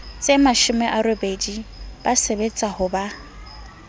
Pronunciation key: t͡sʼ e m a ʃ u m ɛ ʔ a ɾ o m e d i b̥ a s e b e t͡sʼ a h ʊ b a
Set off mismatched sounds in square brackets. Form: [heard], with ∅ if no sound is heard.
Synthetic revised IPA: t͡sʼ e m a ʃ [ʊ] m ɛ ʔ a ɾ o [b] e d i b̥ a s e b e t͡sʼ a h ʊ b a